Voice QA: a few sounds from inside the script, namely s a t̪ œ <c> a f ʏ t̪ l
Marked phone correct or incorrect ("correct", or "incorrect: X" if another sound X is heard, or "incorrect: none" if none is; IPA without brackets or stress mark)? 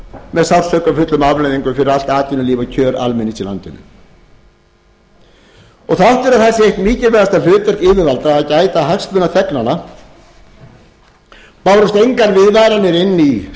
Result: incorrect: k